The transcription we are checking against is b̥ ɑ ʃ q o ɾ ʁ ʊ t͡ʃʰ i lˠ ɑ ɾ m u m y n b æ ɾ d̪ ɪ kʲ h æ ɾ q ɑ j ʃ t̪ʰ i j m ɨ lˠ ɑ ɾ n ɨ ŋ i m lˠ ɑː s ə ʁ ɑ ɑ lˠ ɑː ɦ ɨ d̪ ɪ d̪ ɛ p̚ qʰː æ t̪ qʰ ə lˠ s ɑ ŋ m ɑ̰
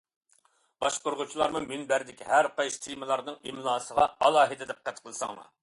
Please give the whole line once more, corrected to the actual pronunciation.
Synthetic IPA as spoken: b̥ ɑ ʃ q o ɾ ʁ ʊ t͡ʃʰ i lˠ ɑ ɾ m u m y n b æ ɾ d̪ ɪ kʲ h æ ɾ q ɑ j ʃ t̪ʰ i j m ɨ lˠ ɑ ɾ n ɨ ŋ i m lˠ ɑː s ə ʁ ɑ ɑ lˠ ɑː ɦ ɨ d̪ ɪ d̪ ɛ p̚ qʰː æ t̪ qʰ ə lˠ s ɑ ŋ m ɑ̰